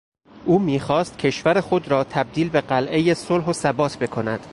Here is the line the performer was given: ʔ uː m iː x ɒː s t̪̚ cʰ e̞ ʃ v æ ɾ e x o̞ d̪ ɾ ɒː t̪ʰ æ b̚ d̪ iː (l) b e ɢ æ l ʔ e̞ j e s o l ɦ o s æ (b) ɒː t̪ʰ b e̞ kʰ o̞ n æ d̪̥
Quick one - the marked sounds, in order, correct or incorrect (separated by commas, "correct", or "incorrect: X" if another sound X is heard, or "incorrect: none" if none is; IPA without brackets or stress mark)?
correct, correct